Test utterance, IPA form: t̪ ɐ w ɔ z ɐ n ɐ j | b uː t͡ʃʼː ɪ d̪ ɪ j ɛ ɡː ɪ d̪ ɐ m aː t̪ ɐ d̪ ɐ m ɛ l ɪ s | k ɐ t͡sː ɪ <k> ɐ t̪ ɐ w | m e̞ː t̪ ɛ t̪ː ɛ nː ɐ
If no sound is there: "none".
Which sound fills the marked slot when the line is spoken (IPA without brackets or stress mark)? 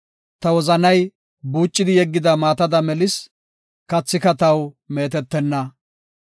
k